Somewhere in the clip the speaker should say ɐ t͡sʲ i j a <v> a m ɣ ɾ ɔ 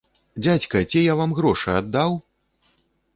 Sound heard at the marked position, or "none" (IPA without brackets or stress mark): v